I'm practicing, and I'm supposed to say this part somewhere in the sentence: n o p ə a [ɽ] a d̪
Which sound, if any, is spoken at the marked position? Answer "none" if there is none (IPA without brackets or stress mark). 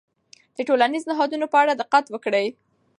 ɽ